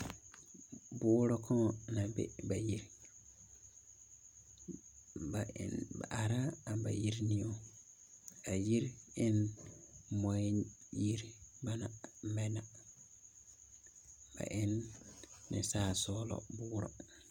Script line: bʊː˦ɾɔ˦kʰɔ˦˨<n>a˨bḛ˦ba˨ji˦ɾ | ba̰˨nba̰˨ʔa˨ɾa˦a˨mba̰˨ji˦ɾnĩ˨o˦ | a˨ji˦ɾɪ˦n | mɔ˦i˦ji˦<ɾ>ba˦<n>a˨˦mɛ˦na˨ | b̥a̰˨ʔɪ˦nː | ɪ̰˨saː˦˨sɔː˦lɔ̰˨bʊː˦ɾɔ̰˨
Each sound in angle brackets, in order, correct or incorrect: correct, correct, correct

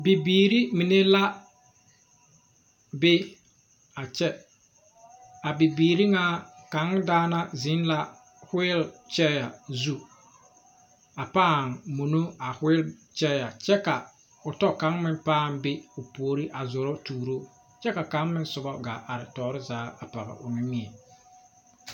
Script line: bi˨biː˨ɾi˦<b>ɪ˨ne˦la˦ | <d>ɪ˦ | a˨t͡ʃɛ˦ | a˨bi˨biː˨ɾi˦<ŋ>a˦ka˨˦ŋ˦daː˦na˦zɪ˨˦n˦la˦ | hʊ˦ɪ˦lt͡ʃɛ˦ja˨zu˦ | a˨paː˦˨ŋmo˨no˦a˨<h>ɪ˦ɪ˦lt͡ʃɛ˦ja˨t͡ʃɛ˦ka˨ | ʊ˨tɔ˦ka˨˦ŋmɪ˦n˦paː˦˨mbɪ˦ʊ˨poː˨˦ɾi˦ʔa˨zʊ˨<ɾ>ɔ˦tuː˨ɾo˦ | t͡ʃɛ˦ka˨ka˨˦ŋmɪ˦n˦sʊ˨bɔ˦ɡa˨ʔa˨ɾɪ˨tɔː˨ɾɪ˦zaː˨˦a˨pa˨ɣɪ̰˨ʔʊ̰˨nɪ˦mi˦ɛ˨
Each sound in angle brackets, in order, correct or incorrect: incorrect: m, incorrect: b, correct, correct, correct

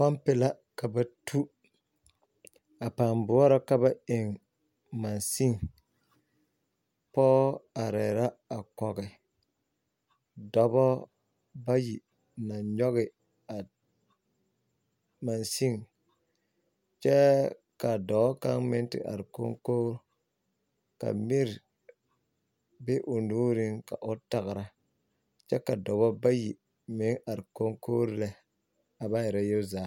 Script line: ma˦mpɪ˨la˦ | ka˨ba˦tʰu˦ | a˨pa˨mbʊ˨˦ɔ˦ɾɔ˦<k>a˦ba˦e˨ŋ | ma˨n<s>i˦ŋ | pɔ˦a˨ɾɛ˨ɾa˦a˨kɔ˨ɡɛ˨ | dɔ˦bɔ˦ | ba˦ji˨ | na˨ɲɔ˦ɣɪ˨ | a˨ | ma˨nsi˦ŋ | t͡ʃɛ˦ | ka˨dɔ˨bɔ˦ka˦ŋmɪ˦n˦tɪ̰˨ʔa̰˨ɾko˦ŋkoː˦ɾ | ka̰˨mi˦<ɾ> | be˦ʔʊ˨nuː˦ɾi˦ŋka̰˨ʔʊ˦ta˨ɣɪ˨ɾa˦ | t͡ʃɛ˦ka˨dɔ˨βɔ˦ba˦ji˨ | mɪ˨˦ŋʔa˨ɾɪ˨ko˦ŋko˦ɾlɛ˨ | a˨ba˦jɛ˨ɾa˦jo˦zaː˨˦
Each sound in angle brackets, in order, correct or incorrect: correct, correct, correct

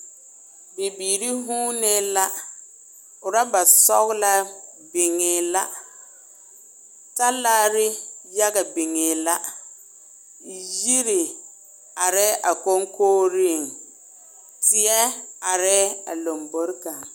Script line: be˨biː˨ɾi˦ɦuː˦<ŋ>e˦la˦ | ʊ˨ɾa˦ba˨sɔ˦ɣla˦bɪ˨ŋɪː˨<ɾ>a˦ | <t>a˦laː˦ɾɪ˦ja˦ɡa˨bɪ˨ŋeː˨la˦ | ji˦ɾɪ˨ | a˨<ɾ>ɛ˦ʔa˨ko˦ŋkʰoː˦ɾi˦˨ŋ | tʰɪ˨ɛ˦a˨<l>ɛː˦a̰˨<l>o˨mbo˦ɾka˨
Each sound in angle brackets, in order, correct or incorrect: incorrect: n, incorrect: l, correct, correct, incorrect: ɾ, correct

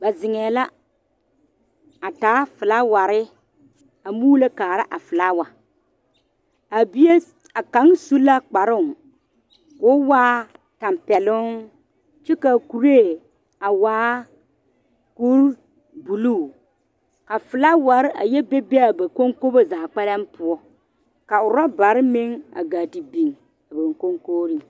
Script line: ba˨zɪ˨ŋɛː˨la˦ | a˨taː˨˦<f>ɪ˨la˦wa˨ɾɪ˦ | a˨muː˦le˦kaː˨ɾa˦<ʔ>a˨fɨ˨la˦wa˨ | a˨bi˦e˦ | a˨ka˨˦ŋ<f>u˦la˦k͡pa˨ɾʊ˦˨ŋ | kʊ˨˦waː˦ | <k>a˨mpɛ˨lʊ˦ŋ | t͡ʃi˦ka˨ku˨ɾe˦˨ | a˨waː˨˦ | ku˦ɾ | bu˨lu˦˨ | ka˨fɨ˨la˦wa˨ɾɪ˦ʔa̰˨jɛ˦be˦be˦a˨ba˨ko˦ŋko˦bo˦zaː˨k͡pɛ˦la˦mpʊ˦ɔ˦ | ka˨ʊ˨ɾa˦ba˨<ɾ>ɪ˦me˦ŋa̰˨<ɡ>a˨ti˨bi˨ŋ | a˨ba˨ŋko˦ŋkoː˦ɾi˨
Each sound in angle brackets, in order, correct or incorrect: correct, correct, incorrect: s, incorrect: t, correct, correct

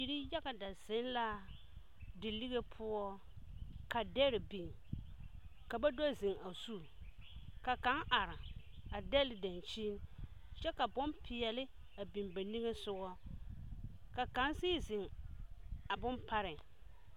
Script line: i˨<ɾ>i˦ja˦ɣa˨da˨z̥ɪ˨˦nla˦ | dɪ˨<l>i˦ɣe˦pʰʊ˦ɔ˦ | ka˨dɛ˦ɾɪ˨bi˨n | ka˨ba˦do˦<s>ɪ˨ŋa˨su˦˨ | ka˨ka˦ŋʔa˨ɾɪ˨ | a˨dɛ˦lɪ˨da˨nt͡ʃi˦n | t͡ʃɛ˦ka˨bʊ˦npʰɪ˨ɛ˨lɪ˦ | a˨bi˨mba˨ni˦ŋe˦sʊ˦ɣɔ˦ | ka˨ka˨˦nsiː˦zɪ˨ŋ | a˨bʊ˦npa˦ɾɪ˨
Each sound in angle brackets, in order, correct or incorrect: correct, correct, incorrect: z

